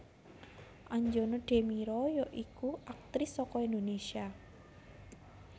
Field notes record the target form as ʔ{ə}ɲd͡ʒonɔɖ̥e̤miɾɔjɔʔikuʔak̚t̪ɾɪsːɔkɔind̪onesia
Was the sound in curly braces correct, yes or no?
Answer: no